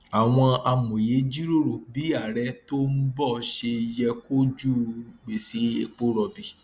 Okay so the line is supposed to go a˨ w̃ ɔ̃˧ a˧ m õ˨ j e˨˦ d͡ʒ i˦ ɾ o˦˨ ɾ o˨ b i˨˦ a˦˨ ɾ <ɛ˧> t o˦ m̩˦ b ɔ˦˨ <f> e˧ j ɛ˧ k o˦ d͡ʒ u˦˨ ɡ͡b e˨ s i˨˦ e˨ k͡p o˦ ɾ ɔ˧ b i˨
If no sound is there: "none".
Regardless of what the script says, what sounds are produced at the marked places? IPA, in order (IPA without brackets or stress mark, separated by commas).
ɛ˧, ʃ